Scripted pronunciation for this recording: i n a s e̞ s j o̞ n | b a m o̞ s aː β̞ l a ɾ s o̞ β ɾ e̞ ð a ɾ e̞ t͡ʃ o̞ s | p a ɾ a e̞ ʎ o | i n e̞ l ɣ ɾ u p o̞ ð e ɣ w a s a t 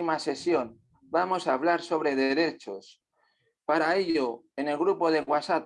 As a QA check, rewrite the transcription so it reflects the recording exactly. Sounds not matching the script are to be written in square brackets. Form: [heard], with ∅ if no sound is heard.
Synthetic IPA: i [m] a s e̞ s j o̞ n | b a m o̞ s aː β̞ l a ɾ s o̞ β ɾ e̞ ð [e] ɾ e̞ t͡ʃ o̞ s | p a ɾ a e̞ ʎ o | [e] n e̞ l ɣ ɾ u p o̞ ð e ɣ w a s a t